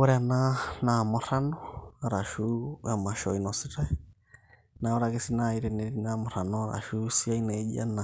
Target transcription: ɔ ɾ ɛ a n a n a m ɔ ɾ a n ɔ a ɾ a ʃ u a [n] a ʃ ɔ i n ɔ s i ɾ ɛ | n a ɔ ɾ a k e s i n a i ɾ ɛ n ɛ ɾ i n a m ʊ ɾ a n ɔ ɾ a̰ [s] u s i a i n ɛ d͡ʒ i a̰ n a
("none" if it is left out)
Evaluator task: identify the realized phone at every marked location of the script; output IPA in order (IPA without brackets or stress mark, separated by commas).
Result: m, ʃ